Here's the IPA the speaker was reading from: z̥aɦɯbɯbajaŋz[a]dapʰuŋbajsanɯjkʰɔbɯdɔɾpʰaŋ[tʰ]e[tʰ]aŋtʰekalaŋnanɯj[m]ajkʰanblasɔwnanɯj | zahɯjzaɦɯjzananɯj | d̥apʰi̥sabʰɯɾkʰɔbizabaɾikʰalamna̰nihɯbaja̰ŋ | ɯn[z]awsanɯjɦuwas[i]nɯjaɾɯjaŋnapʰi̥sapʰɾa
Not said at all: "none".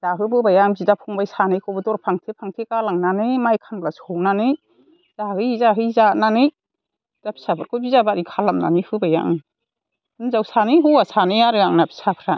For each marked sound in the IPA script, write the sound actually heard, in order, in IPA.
i, tʰ, pʰ, m, z, a

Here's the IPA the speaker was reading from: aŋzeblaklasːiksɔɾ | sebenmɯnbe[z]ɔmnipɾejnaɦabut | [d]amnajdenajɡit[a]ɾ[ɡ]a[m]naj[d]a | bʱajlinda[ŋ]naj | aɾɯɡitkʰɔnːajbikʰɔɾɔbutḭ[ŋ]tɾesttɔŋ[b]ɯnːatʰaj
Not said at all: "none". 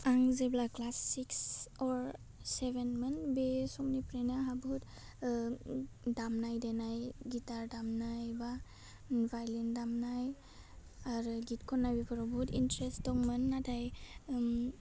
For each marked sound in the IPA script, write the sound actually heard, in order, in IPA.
s, d, a, d, m, b, m, n, m

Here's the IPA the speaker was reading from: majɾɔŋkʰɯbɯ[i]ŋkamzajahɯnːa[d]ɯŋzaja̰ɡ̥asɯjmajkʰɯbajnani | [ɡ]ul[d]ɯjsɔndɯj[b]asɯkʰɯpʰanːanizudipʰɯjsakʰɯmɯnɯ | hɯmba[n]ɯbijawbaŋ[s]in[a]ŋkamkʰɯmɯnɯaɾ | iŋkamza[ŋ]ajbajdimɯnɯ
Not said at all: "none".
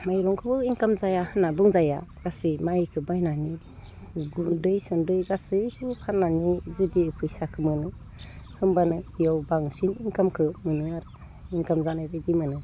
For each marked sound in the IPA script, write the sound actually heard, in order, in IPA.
i, b, ɡ, d, ɡ, n, s, i, n

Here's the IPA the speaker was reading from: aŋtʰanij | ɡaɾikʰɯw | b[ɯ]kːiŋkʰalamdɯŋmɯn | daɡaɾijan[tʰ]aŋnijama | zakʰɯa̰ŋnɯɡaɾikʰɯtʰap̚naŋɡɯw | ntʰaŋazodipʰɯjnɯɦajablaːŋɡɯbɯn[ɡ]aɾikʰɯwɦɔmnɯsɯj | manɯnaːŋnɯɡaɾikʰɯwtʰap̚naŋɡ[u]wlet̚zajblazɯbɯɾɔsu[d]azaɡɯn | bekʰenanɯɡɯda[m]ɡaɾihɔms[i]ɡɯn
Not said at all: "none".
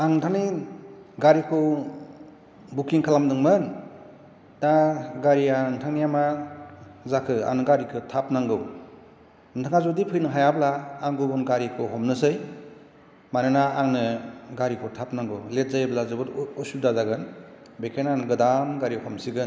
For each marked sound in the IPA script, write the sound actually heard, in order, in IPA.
u, tʰ, ɡ, ɯ, d, m, i

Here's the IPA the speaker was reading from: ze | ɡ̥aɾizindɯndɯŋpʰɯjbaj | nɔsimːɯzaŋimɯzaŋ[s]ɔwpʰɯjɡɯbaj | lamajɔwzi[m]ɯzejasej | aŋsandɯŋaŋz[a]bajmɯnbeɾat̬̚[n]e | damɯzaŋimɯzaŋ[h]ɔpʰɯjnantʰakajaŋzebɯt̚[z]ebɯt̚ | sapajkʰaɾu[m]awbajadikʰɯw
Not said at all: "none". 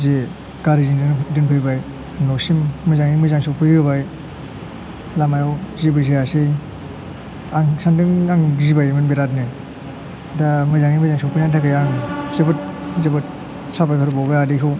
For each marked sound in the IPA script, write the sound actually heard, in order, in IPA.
s, b, i, n, s, z, b

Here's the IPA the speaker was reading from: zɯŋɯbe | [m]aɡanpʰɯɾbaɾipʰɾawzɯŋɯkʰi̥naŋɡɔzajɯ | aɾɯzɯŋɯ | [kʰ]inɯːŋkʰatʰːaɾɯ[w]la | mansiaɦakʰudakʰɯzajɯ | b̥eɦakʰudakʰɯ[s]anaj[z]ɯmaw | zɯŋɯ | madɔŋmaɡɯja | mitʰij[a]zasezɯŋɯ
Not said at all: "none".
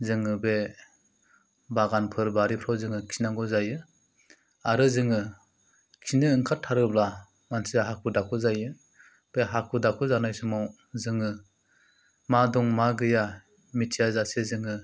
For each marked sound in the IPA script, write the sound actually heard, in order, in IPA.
b, kʰ, b, z, s, a

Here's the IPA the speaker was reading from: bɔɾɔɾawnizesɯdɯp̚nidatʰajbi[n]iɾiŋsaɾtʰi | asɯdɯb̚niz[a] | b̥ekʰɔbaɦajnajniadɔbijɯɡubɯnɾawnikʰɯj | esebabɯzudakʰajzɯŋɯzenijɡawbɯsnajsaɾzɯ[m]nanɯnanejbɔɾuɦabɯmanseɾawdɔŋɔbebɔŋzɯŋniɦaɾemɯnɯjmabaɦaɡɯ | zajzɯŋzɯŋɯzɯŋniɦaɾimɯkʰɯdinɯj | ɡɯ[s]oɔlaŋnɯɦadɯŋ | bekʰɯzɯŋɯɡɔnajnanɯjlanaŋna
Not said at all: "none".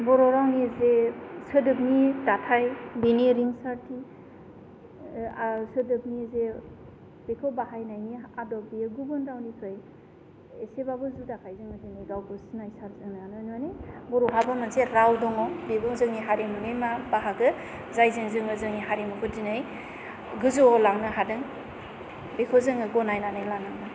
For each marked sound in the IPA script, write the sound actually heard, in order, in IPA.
n, e, ŋ, z

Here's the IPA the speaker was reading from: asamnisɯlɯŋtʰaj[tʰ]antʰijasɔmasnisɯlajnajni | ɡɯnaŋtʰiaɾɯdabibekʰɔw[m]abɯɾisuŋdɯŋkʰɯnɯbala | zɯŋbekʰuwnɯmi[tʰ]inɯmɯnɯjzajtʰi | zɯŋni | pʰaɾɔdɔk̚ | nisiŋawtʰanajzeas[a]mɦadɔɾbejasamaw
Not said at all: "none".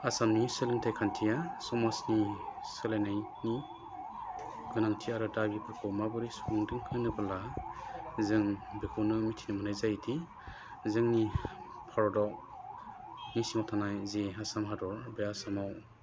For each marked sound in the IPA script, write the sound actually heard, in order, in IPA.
kʰ, m, tʰ, a

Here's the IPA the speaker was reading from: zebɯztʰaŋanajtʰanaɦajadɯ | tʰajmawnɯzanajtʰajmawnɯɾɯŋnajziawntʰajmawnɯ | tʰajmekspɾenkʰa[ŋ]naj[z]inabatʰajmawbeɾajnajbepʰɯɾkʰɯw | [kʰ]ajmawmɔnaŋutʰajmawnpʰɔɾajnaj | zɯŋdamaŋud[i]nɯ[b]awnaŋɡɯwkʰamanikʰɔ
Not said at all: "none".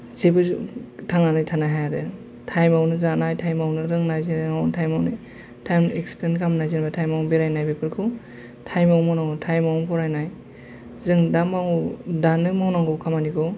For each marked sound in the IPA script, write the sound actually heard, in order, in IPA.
m, z, tʰ, a, m

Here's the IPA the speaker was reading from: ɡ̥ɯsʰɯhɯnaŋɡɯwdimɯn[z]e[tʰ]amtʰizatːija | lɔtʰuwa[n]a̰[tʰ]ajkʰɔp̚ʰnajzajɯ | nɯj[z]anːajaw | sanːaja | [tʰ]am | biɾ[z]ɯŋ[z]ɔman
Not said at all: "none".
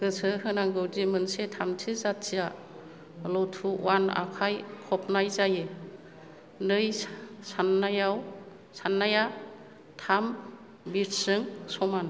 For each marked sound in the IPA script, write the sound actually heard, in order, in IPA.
s, tʰ, n, kʰ, s, tʰ, s, s

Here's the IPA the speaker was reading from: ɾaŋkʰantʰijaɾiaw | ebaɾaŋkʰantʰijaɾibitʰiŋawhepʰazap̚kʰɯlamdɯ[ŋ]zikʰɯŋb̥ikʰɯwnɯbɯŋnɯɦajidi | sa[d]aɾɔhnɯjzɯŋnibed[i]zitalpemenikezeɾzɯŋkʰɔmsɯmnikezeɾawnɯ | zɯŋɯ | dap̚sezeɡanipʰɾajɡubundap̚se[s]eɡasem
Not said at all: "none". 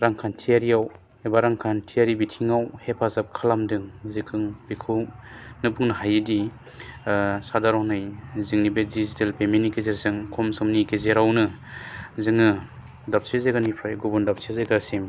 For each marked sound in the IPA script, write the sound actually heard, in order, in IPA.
ŋ, d, i, z

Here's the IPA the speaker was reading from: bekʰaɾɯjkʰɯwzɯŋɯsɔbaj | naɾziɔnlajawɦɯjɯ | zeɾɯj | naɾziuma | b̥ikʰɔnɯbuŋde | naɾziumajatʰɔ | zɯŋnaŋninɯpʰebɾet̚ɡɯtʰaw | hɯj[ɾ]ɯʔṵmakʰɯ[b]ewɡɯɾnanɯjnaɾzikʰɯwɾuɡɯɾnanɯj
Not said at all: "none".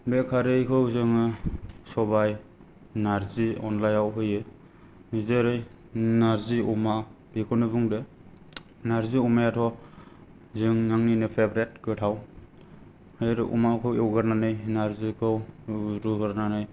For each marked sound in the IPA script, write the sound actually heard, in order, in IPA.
ɾ, w

